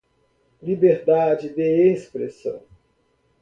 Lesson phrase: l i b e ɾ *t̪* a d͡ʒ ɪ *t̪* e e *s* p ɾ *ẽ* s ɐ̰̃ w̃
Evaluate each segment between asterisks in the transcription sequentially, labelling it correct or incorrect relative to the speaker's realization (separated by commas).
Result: incorrect, incorrect, correct, incorrect